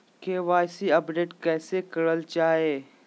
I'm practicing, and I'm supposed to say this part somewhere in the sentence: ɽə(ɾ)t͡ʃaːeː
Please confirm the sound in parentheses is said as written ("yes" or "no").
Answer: no